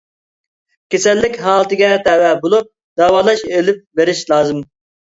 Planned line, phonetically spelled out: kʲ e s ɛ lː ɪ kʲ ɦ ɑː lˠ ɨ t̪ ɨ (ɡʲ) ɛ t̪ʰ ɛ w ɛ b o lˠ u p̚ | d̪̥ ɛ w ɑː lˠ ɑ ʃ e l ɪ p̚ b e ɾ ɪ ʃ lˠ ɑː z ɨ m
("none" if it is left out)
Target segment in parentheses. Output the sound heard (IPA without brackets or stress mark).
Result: ɡʲ